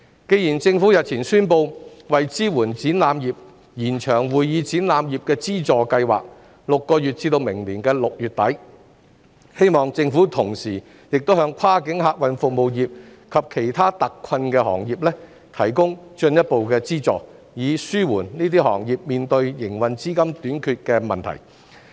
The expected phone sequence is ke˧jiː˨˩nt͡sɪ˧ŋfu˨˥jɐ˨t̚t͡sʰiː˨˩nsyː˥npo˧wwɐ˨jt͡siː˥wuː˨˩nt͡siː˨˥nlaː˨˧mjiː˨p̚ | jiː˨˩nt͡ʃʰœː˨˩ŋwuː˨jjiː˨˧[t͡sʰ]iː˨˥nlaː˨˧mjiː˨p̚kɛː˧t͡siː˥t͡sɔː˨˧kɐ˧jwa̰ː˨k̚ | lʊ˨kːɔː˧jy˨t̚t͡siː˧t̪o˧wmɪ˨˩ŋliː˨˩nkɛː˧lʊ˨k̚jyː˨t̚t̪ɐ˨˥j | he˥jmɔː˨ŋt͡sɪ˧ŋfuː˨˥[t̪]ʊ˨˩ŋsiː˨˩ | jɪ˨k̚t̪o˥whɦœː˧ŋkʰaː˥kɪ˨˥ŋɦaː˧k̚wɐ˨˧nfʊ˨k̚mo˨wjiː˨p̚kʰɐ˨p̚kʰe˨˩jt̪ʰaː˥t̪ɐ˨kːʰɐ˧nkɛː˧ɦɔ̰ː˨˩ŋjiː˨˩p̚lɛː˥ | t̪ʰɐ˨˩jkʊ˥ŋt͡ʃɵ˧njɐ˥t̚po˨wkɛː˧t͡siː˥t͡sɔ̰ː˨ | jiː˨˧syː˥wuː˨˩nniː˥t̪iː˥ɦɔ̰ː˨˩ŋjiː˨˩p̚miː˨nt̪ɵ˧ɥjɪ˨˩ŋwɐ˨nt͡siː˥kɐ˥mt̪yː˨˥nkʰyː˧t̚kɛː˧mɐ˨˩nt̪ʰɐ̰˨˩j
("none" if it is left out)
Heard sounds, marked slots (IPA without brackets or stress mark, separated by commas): t͡s, t̪ʰ